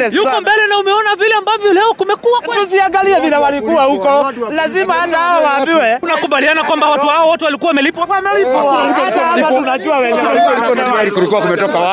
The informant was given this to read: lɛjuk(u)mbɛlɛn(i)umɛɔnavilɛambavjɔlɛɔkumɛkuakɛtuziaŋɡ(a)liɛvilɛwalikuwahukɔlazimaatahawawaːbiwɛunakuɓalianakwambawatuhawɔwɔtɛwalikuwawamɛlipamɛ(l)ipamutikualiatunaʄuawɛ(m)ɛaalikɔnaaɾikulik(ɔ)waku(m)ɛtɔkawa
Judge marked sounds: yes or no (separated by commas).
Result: no, no, yes, yes, no, no, yes